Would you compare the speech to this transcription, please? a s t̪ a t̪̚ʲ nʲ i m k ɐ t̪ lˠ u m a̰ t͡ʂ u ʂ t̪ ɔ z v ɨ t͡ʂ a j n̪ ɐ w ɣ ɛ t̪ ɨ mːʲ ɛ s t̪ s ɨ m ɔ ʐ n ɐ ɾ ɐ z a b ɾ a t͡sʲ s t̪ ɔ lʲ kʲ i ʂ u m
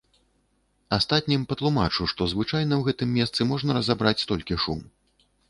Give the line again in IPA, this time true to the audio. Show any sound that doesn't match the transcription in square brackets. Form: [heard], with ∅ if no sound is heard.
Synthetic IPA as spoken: a s t̪ a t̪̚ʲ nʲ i m [p] ɐ t̪ lˠ u m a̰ t͡ʂ u ʂ t̪ ɔ z v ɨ t͡ʂ a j n̪ ɐ w ɣ ɛ t̪ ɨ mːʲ ɛ s t̪ s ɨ m ɔ ʐ n ɐ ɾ ɐ z a b ɾ a t͡sʲ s t̪ ɔ lʲ kʲ i ʂ u m